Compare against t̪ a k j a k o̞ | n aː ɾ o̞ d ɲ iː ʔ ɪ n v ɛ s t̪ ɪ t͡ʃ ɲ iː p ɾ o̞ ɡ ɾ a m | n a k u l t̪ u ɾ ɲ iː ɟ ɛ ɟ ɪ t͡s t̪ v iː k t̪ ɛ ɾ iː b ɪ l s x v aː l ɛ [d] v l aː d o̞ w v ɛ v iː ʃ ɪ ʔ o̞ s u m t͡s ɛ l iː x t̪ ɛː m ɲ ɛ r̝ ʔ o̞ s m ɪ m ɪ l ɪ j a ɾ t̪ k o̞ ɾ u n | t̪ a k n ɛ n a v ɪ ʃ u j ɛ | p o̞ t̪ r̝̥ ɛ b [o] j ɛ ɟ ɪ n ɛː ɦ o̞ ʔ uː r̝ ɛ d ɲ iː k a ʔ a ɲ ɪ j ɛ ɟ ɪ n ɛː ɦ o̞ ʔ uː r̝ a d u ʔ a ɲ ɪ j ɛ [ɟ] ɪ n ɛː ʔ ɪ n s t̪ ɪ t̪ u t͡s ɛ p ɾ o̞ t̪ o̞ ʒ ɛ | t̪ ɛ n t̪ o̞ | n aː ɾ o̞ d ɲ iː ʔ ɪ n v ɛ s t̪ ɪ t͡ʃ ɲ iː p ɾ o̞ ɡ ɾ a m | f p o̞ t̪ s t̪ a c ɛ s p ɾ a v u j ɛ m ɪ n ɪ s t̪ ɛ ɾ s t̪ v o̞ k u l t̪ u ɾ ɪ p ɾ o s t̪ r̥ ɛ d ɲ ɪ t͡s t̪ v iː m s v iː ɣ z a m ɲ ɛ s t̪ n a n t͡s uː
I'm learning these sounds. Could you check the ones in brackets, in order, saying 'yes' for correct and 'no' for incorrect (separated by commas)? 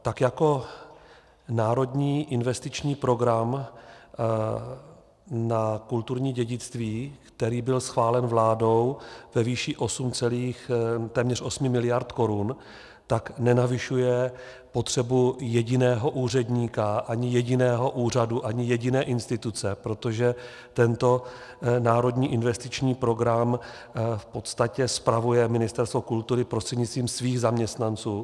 no, no, yes